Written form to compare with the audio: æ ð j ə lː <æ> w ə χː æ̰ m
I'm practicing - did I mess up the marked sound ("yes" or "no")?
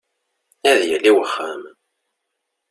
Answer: yes